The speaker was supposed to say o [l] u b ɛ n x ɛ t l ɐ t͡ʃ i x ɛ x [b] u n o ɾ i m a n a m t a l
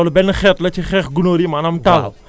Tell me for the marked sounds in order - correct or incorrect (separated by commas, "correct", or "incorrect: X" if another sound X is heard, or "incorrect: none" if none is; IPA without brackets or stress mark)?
correct, incorrect: ɡ